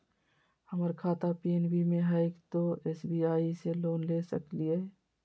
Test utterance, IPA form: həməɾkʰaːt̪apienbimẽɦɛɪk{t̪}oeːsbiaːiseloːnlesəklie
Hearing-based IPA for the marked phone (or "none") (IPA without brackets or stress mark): t̪